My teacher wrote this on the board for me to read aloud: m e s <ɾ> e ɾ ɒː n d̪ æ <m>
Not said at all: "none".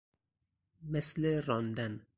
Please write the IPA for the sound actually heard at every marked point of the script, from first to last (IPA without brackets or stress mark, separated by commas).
l, n